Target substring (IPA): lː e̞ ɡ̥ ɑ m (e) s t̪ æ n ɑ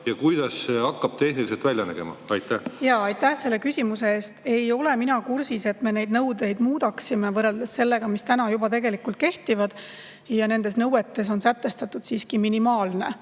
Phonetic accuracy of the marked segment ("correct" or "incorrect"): incorrect